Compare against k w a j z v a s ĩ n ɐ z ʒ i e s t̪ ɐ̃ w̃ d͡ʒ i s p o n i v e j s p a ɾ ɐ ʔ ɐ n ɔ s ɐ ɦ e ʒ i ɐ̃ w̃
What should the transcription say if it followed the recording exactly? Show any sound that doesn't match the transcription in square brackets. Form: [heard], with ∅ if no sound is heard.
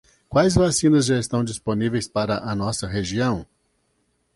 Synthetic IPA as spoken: k w a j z v a s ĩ n ɐ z ʒ [a] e s t̪ ɐ̃ w̃ d͡ʒ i s p o n i v e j s p a ɾ ɐ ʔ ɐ n ɔ s ɐ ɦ e ʒ i ɐ̃ w̃